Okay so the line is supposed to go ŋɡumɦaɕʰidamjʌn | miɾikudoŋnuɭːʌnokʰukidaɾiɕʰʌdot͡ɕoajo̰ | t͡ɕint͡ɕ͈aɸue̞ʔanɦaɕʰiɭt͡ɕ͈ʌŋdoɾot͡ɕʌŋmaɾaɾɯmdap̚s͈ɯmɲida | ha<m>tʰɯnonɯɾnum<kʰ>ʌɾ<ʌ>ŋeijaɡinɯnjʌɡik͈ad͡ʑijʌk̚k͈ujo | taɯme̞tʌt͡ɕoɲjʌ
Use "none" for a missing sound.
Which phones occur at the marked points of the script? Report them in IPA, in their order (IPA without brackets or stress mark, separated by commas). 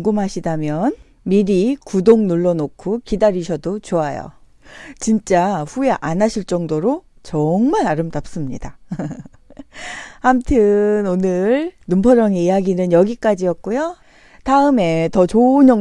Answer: m, pʰ, ʌ